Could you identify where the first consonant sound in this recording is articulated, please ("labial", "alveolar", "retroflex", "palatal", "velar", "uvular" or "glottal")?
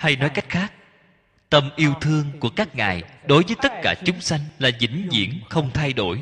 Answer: glottal